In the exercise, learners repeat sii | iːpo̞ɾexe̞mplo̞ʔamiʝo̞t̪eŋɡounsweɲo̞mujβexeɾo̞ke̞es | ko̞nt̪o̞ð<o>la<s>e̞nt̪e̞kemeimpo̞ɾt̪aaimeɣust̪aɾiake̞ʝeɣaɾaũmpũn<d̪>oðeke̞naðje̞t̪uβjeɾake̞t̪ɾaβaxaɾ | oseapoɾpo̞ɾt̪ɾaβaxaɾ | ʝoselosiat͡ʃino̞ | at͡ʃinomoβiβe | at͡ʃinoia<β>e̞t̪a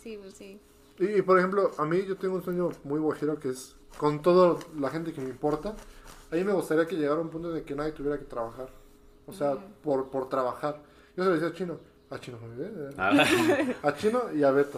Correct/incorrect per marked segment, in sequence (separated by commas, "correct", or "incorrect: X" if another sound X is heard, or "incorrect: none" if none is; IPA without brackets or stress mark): correct, incorrect: x, incorrect: t̪, correct